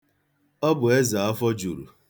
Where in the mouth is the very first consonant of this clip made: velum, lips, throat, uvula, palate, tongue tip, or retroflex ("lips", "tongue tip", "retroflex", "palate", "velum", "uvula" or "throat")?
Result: lips